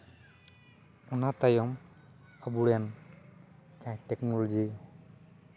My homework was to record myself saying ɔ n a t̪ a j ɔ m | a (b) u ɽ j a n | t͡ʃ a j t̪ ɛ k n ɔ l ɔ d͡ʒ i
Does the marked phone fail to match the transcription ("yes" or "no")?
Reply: no